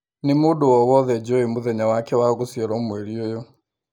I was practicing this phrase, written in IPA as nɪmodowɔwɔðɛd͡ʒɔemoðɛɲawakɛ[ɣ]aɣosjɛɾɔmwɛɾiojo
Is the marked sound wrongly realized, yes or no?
yes